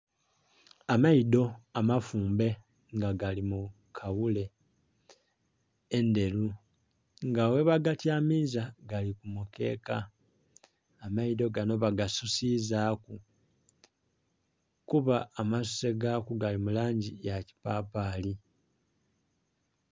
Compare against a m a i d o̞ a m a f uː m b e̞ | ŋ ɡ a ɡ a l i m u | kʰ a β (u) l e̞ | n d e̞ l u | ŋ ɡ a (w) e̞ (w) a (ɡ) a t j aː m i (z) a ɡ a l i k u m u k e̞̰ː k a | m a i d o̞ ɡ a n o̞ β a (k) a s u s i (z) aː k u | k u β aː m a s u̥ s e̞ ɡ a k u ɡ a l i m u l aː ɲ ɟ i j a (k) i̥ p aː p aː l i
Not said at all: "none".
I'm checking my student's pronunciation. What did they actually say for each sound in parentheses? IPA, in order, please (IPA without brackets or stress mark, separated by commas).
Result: u, w, β, ɡ, z, ɡ, z, c